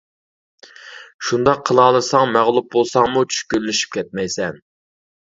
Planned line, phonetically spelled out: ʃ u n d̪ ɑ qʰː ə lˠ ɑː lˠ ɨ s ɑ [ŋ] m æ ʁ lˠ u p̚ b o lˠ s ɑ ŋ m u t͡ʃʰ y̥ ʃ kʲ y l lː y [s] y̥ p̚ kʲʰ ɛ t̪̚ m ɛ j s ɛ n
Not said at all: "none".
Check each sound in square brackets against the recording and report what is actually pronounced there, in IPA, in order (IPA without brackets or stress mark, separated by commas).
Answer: ŋ, ʃ